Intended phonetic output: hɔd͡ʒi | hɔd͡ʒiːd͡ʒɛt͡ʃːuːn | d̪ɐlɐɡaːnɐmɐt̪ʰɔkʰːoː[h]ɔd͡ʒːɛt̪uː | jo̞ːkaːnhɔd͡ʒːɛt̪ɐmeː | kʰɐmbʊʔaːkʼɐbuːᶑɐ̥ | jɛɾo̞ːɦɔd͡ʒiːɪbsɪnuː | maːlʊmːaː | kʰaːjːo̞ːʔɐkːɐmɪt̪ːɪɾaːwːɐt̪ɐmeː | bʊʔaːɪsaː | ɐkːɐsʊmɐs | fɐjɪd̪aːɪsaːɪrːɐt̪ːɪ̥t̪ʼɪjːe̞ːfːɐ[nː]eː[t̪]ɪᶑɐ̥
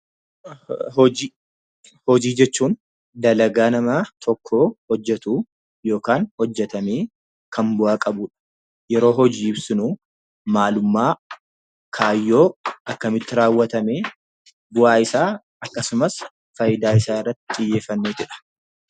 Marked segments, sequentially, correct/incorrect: correct, correct, correct

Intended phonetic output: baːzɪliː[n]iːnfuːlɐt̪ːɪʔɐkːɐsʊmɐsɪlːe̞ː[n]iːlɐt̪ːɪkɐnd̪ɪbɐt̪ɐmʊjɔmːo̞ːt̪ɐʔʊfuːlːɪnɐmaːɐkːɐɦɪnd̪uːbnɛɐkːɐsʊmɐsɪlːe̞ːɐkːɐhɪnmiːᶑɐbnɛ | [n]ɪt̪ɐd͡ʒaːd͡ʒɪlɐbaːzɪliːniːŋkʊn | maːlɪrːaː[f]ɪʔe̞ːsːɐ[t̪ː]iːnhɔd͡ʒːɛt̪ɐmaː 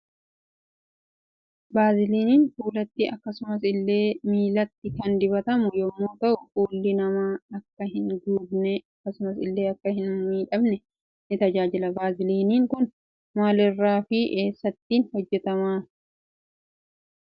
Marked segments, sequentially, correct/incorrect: correct, incorrect, correct, correct, correct

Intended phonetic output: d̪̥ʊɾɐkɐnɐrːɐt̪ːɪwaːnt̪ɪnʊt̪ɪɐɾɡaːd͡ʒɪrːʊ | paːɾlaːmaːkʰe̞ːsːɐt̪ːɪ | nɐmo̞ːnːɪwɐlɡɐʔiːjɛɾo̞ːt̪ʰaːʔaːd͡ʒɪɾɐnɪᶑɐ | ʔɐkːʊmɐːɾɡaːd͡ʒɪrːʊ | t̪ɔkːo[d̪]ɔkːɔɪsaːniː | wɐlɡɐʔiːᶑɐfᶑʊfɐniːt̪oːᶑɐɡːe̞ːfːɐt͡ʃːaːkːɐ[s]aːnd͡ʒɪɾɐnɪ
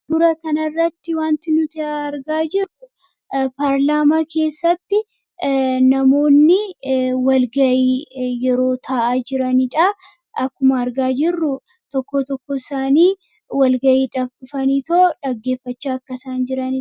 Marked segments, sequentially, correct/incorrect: incorrect, correct

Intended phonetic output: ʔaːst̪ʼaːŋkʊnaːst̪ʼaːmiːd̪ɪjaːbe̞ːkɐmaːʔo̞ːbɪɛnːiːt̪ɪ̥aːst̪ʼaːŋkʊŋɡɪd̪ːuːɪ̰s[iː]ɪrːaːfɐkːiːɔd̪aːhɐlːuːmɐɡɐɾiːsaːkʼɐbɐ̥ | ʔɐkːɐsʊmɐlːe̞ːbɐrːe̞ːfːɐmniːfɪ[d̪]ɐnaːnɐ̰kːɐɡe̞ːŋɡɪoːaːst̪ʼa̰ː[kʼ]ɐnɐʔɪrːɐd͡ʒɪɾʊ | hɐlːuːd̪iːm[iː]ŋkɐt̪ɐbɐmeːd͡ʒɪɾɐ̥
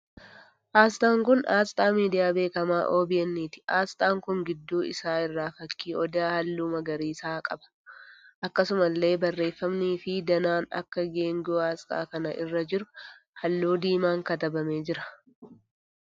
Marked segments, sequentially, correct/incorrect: incorrect, correct, incorrect, incorrect

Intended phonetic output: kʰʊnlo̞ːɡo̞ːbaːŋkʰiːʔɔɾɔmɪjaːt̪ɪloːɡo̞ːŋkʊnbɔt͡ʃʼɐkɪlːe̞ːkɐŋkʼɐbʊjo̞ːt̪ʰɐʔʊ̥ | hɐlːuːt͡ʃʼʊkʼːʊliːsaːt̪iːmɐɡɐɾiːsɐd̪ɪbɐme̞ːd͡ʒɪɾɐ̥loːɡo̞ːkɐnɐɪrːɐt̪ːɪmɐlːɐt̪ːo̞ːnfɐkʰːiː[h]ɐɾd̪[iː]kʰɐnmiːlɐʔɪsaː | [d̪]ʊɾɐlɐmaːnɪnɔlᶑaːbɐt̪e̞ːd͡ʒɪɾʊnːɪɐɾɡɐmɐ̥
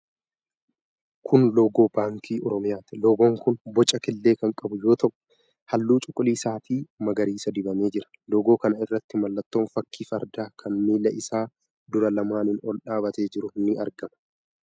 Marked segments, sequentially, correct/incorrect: incorrect, incorrect, correct

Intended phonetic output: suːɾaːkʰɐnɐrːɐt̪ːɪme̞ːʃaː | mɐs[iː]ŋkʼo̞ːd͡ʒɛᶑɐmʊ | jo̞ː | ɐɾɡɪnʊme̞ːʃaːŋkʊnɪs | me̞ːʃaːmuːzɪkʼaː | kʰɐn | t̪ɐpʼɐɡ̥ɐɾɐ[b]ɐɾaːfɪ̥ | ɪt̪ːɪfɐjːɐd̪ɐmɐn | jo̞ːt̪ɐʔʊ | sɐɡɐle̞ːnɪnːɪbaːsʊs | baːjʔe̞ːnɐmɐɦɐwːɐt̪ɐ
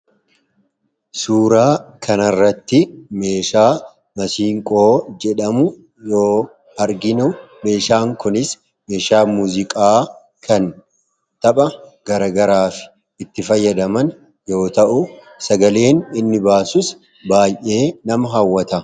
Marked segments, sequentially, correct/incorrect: correct, incorrect

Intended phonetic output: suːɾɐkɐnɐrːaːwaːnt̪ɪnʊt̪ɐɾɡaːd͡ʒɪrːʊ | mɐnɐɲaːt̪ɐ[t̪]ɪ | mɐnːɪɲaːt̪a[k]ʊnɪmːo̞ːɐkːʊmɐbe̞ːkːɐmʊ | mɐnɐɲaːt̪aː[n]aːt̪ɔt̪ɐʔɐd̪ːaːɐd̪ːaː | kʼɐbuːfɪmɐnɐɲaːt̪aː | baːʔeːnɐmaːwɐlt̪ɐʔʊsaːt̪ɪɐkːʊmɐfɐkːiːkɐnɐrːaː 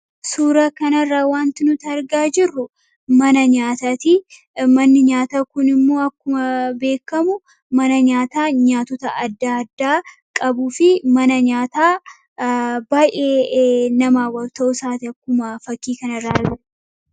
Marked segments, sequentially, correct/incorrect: correct, correct, incorrect

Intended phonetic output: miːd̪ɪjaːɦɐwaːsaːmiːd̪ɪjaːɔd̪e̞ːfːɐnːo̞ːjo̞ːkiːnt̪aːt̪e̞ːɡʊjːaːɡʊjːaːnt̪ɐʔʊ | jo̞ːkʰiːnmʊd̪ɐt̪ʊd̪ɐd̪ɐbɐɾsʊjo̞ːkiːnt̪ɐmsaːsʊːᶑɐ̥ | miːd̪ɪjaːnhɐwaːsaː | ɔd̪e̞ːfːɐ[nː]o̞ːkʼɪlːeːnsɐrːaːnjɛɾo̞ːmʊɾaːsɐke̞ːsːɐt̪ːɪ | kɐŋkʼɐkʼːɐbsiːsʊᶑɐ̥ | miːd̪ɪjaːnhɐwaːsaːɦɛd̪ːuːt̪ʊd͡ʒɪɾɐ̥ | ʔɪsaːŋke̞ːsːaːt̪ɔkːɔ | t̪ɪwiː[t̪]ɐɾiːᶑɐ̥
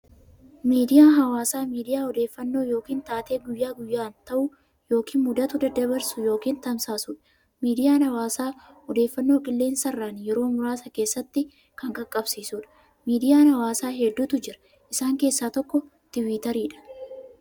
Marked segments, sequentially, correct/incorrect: correct, correct

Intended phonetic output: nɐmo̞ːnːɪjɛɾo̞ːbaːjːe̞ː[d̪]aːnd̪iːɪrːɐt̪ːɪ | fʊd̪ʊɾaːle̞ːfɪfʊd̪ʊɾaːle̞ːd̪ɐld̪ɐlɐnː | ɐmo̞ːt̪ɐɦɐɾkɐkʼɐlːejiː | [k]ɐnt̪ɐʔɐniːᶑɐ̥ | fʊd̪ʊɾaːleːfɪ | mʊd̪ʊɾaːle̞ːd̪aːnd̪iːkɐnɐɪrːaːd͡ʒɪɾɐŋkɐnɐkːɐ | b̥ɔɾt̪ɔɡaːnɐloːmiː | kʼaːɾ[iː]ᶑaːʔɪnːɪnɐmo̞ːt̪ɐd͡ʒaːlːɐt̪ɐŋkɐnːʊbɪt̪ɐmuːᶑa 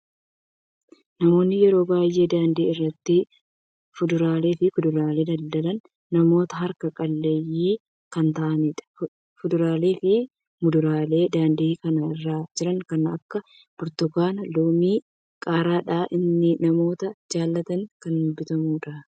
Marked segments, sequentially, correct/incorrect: correct, correct, incorrect

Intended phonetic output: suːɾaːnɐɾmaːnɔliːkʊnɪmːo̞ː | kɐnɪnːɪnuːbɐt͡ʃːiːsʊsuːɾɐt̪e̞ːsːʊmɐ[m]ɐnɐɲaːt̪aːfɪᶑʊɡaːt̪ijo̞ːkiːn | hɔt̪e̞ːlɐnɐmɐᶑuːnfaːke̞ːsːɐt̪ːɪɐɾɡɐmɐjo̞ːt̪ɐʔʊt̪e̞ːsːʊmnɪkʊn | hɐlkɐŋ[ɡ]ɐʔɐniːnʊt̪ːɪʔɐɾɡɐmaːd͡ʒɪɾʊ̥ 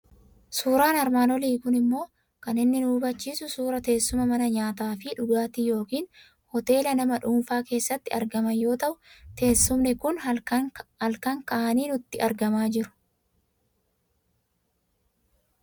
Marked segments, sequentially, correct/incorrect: correct, incorrect

